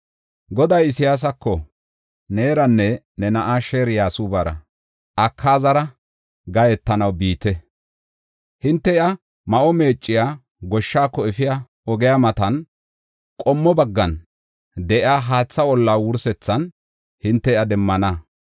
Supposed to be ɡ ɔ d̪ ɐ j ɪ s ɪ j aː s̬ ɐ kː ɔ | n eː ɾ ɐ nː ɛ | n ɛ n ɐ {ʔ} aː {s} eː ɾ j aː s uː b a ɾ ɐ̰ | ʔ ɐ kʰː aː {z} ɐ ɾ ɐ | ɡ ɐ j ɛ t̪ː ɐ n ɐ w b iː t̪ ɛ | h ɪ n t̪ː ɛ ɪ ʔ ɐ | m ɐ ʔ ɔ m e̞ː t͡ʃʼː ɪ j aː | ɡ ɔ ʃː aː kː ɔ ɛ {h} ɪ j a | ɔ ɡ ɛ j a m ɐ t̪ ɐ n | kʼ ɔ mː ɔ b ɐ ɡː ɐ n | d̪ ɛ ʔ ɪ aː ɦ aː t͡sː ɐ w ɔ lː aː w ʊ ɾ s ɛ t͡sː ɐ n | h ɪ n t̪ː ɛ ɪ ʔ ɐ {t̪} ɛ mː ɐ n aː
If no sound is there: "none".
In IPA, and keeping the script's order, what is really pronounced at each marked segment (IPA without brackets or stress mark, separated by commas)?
ʔ, ʃ, z, f, d̪